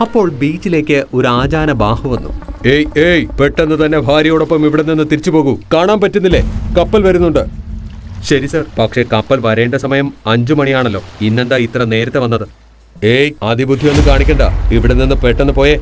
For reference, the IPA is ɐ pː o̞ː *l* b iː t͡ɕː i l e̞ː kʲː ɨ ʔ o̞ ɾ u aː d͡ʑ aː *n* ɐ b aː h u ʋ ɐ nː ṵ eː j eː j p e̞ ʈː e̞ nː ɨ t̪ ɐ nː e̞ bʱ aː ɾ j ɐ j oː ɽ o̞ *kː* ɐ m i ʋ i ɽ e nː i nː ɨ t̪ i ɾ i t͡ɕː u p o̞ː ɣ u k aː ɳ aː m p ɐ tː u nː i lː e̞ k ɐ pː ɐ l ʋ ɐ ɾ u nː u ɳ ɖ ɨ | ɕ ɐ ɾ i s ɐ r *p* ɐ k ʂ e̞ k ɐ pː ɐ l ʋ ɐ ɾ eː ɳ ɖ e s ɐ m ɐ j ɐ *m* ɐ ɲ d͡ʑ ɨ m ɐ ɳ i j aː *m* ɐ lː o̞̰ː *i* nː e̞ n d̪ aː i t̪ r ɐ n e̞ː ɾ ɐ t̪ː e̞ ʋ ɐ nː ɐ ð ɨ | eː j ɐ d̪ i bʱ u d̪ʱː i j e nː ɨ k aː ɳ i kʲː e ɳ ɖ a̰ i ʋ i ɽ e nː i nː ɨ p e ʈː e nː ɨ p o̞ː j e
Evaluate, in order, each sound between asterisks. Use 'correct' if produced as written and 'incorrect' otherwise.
incorrect: ɭ, correct, incorrect: pː, correct, correct, incorrect: ɳ, correct

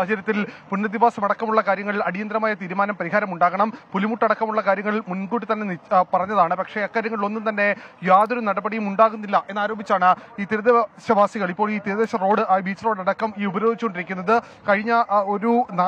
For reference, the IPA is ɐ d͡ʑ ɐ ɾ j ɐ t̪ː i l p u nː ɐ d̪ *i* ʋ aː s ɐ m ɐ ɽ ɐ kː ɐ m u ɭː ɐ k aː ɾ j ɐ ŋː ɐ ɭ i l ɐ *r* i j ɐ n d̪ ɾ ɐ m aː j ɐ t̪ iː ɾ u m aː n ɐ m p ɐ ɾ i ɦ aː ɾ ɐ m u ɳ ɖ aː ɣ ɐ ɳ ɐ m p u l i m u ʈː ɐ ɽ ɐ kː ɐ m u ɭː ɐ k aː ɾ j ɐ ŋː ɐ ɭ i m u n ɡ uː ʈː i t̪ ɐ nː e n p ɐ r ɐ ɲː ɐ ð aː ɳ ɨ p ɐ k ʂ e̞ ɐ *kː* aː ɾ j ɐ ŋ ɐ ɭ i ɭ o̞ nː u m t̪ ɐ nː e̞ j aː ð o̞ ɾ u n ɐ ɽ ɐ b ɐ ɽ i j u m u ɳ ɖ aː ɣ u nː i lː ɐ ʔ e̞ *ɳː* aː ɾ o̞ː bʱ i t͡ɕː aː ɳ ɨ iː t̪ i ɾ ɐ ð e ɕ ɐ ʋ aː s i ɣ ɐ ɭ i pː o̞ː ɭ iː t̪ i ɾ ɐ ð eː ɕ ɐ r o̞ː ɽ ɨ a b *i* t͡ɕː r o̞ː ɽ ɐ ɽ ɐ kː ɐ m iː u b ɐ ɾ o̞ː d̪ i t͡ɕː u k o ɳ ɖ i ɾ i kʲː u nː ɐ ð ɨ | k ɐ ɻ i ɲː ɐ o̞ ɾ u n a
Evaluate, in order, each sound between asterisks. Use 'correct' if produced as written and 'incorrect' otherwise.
correct, incorrect: ɽ, correct, incorrect: nː, incorrect: iː

